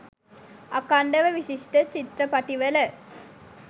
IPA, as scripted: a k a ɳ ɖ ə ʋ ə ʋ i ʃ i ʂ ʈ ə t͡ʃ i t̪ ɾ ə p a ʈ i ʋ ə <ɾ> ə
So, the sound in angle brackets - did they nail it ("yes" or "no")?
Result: no